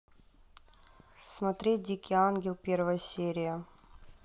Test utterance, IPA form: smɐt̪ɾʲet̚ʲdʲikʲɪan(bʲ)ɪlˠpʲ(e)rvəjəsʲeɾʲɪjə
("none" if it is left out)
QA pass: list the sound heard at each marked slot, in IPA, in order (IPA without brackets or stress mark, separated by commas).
ɡʲ, e